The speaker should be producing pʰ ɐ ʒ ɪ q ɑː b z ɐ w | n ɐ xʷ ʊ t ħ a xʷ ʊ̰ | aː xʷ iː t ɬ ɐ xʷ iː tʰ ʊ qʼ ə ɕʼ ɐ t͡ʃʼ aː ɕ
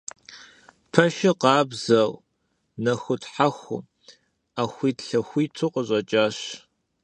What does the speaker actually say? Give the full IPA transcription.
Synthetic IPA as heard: pʰ ɐ ʃ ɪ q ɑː b z ɐ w | n ɐ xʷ ʊ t ħ a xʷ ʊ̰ | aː xʷ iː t ɬ ɐ xʷ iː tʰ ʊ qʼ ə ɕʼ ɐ t͡ʃʼ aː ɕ

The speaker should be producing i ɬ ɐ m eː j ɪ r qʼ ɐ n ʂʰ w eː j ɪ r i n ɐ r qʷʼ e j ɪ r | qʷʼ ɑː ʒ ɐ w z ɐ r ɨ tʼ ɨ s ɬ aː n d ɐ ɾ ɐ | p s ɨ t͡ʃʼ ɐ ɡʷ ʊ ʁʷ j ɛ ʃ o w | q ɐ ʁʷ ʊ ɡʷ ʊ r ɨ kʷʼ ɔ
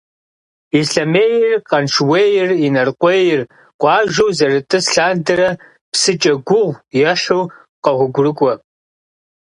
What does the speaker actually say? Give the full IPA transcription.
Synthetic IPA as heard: i ɬ ɐ m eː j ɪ r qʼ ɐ n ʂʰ w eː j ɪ r i n ɐ r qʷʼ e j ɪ r | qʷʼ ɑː ʒ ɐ w z ɐ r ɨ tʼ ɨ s ɬ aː n d ɐ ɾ ɐ | p s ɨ t͡ʃʼ ɐ ɡʷ ʊ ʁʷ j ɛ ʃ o w | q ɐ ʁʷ ʊ ɡʷ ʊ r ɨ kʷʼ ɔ

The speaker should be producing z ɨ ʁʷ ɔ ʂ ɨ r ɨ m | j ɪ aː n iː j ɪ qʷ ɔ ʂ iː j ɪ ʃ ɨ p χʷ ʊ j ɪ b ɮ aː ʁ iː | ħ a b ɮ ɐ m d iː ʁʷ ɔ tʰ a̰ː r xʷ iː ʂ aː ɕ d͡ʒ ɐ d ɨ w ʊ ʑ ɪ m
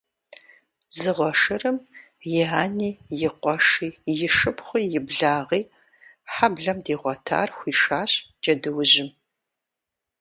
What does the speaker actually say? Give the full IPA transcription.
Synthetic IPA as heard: z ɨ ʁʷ ɔ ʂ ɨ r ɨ m | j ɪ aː n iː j ɪ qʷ ɔ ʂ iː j ɪ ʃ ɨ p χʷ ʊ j ɪ b ɮ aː ʁ iː | ħ a b ɮ ɐ m d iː ʁʷ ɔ tʰ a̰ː r xʷ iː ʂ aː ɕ d͡ʒ ɐ d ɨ w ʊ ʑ ɪ m

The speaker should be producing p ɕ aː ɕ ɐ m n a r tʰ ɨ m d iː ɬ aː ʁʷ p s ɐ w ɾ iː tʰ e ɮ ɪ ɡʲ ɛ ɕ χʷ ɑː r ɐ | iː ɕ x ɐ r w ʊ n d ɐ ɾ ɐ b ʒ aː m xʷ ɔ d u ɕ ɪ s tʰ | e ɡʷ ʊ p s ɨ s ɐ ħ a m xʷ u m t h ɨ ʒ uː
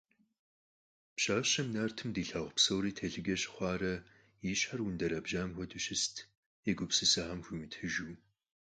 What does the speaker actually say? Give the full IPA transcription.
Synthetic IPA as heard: p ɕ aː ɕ ɐ m n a r tʰ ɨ m d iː ɬ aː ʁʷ p s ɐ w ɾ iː tʰ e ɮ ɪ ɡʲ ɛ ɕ χʷ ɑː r ɐ | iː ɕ ħ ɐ r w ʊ n d ɐ ɾ ɐ b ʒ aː m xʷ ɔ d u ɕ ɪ s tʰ | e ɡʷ ʊ p s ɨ s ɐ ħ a m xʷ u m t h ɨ ʒ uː

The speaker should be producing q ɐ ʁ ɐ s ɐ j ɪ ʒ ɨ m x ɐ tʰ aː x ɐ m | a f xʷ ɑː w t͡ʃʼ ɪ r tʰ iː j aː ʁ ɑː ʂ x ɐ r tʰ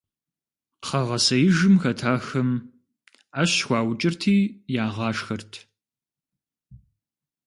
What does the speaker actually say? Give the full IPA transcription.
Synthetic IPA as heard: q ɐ ʁ ɐ s ɐ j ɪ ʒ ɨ m x ɐ tʰ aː x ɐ m | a ɕ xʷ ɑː w t͡ʃʼ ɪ r tʰ iː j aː ʁ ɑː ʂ x ɐ r tʰ

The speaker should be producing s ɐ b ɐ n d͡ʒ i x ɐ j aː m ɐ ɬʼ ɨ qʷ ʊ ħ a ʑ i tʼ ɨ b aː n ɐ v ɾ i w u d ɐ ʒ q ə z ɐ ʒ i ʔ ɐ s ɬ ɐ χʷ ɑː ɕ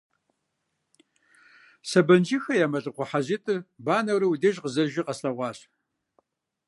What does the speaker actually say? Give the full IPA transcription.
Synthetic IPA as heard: s ɐ b ɐ n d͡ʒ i x ɐ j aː m ɐ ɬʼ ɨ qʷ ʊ ħ a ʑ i tʼ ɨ b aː n ɐ w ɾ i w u d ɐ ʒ q ə z ɐ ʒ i q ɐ s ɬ ɐ ʁʷ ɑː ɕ

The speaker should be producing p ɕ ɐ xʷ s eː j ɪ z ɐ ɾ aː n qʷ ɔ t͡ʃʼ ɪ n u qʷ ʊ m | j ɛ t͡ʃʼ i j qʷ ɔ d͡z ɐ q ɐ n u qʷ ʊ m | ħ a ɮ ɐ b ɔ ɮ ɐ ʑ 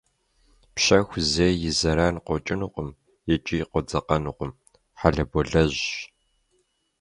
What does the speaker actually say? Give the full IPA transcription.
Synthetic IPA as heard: p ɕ ɐ xʷ z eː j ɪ z ɐ ɾ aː n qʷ ɔ t͡ʃʼ ɪ n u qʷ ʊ m | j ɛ t͡ʃʼ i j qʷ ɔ d͡z ɐ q ɐ n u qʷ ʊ m | ħ a ɮ ɐ b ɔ ɮ ɐ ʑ

